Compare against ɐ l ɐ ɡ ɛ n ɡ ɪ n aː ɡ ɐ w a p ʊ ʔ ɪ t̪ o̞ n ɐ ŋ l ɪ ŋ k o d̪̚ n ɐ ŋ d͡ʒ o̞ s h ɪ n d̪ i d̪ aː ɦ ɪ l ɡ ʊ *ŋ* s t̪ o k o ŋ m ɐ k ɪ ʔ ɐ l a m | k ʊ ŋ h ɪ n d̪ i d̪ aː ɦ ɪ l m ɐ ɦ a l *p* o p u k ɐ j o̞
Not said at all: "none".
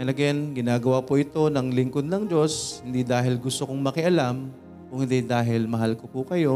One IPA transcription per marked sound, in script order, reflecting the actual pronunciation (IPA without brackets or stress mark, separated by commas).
none, k